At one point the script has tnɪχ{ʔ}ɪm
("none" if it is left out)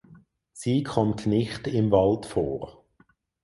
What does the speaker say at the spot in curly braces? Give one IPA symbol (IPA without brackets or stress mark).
t